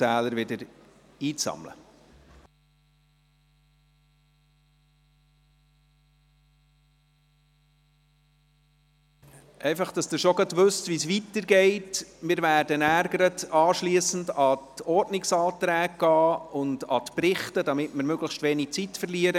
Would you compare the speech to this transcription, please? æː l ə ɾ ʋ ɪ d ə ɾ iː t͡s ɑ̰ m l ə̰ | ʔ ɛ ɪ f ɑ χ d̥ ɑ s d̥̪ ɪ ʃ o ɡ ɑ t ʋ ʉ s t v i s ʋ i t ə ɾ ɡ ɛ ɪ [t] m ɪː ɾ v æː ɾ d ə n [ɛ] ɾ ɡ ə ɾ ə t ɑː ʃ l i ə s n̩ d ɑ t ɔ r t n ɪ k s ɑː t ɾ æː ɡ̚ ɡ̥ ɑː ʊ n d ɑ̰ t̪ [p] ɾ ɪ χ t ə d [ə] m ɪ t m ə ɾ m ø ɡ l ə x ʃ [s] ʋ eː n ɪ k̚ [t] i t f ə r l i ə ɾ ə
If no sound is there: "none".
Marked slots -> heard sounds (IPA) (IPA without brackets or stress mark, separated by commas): t, æ, p, ɑ, t, t͡s